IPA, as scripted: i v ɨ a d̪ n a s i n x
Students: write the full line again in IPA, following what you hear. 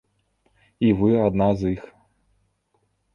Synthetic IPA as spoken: i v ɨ a d̪ n a z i x